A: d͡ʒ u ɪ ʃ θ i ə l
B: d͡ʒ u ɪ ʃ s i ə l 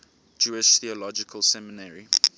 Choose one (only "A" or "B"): A